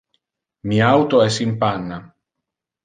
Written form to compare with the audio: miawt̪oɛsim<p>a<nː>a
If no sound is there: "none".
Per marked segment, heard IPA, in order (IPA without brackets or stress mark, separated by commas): p, nː